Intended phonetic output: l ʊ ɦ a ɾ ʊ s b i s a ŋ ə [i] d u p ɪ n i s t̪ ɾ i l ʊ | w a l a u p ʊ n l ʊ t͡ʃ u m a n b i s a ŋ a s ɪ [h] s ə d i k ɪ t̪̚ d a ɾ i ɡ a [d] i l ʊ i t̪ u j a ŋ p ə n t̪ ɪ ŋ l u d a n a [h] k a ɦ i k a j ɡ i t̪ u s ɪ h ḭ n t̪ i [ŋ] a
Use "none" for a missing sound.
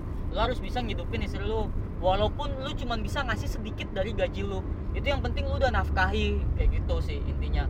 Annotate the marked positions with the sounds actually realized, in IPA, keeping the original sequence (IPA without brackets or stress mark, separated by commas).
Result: i, h, d͡ʒ, f, ɲ